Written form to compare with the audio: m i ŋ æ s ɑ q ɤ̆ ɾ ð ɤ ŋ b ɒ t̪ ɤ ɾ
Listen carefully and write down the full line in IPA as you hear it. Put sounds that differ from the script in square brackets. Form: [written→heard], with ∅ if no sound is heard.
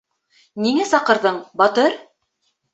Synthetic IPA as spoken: [m→n] i ŋ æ s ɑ q ɤ̆ ɾ ð ɤ [ŋ→ɴ] b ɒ t̪ ɤ ɾ